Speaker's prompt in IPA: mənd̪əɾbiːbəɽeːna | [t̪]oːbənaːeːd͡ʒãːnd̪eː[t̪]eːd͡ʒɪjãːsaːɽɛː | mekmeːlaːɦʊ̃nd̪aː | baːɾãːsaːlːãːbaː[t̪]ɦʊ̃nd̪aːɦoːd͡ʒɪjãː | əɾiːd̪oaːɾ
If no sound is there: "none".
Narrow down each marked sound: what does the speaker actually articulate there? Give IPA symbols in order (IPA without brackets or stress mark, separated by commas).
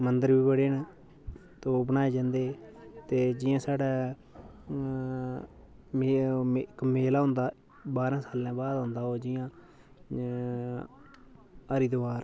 t̪, t̪, d̪